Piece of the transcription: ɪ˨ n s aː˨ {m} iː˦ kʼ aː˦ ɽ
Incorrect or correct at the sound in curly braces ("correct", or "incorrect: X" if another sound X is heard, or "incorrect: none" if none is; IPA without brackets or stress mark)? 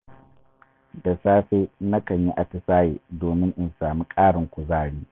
correct